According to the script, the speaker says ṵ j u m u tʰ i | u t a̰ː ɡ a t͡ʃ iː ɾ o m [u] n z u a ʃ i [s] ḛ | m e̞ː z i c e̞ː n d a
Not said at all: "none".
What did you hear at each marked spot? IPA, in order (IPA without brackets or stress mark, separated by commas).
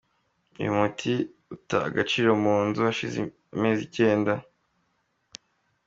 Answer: uː, z